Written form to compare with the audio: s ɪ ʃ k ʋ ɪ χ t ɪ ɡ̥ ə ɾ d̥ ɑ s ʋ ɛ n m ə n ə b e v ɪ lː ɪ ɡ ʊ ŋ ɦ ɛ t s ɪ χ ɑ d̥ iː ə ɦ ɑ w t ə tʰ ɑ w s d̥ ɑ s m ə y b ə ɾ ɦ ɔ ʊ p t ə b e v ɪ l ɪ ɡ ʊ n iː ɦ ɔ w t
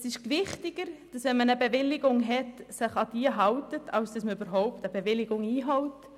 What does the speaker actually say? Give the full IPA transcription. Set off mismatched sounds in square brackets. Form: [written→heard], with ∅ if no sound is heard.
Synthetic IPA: s ɪ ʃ k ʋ ɪ χ t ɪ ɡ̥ ə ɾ d̥ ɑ s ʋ ɛ n m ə n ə b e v ɪ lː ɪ ɡ ʊ ŋ ɦ ɛ t s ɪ χ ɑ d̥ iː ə ɦ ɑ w t ə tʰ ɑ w s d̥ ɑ s m ə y b ə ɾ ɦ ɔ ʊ p t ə b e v ɪ l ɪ ɡ ʊ [n→ŋ] iː ɦ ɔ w t